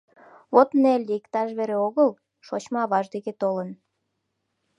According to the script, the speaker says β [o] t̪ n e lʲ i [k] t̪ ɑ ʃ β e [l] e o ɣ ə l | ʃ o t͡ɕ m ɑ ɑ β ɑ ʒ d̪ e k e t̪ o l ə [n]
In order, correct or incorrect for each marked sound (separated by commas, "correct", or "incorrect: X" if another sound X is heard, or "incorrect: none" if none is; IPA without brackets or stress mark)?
correct, correct, incorrect: ɾ, correct